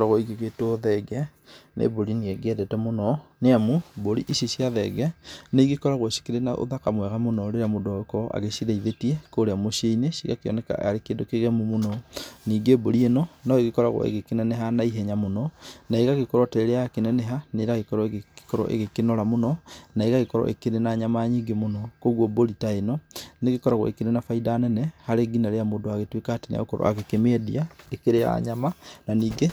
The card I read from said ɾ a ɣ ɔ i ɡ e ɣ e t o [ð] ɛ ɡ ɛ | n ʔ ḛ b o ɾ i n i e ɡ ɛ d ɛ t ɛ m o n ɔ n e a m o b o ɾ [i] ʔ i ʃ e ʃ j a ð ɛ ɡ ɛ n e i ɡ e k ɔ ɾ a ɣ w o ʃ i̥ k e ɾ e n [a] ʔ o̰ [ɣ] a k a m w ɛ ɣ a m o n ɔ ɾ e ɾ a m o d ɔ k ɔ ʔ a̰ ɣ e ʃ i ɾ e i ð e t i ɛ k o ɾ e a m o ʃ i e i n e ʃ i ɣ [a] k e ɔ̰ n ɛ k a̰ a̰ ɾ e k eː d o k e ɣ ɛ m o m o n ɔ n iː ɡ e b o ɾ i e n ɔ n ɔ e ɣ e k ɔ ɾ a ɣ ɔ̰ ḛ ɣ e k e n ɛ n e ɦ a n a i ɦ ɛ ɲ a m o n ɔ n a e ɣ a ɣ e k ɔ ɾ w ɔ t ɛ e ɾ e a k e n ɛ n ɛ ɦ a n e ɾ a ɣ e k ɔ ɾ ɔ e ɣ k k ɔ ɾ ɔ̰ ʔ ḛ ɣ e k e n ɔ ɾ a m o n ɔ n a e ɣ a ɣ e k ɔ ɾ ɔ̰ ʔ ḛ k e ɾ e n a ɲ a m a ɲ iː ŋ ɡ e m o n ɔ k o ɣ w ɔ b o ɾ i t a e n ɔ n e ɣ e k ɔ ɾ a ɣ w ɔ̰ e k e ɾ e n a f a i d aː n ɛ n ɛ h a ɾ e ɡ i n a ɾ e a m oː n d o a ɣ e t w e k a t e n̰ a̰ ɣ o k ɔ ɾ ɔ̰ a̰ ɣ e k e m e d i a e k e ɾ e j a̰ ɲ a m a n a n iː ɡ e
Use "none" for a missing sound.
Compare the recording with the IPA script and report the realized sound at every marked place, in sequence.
ð, i, a, ð, a

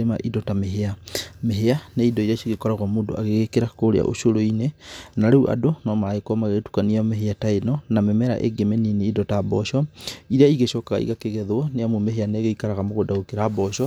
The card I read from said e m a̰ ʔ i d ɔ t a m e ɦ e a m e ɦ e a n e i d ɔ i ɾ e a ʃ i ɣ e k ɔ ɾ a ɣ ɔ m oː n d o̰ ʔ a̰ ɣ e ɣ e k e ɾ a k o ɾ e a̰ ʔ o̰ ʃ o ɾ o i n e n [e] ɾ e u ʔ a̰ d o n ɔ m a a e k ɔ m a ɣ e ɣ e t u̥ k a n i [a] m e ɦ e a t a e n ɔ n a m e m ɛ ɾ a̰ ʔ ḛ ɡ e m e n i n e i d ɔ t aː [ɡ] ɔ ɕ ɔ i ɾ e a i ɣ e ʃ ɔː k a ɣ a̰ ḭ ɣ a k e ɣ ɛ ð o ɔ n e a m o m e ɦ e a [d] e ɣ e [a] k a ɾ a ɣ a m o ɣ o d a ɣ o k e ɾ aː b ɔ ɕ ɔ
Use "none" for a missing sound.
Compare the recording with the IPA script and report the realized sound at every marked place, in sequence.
a, a, b, n, i

